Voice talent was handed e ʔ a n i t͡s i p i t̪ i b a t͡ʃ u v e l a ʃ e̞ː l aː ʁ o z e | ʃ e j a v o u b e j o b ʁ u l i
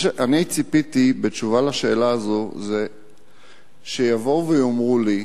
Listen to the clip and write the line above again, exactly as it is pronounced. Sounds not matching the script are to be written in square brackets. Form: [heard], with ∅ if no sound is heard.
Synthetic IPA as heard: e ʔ a n i t͡s i p i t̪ i b [e] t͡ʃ u v [a] l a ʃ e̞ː l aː [z] o z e | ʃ e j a v o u [v] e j o [m] ʁ u l i